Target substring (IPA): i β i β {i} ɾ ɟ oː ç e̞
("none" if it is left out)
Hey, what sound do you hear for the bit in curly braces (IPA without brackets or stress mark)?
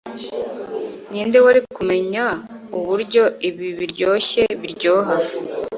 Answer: i